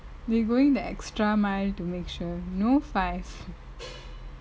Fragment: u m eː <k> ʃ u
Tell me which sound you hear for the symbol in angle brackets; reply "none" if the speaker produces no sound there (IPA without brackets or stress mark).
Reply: k